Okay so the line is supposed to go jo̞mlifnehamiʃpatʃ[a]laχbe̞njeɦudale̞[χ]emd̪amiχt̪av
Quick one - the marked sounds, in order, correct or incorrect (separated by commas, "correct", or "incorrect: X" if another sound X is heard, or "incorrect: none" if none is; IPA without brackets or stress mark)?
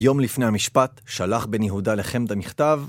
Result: correct, correct